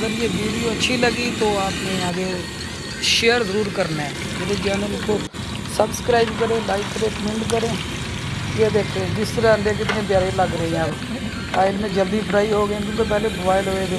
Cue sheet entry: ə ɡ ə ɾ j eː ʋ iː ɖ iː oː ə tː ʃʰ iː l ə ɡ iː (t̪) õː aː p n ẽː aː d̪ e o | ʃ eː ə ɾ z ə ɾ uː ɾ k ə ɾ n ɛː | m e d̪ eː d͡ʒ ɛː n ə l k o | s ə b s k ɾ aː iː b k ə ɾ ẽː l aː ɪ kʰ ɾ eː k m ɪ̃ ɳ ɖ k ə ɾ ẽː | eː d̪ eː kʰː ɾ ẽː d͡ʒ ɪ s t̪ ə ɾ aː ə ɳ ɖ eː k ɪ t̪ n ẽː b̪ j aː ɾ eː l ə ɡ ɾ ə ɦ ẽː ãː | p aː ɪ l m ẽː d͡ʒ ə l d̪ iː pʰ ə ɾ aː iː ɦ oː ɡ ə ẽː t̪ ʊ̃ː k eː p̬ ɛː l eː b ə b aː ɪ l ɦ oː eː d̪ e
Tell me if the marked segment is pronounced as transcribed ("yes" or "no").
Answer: yes